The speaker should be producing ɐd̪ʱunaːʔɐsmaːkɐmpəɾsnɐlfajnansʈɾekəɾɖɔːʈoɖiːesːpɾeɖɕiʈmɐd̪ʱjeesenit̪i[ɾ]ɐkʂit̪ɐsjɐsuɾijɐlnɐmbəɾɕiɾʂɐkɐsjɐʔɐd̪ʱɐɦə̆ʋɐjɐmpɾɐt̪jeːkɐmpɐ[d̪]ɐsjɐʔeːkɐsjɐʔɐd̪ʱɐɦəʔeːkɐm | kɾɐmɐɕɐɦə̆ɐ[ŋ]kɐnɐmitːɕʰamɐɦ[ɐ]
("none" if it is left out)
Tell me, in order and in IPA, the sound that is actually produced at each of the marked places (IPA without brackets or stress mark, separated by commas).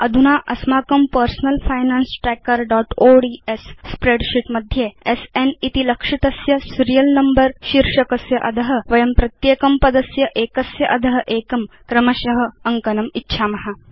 l, d̪, ŋ, a